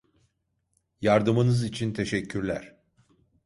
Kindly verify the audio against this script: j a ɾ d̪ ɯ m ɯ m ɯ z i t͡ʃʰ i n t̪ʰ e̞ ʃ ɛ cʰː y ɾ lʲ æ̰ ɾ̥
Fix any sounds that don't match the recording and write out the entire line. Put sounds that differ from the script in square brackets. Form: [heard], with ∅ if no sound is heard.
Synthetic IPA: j a ɾ d̪ ɯ m ɯ [n] ɯ z i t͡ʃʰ i n t̪ʰ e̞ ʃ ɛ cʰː y ɾ lʲ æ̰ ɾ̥